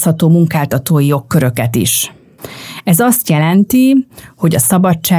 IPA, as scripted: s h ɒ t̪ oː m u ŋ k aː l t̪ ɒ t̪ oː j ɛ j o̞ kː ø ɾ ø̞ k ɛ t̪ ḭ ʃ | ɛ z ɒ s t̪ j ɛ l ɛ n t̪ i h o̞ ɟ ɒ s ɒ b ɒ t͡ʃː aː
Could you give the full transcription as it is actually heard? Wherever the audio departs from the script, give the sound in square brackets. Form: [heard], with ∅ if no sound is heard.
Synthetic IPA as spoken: s h ɒ t̪ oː m u ŋ k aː l t̪ ɒ t̪ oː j [i] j o̞ kː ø ɾ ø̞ k ɛ t̪ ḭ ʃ | ɛ z ɒ s t̪ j ɛ l ɛ n t̪ i h o̞ ɟ ɒ s ɒ b ɒ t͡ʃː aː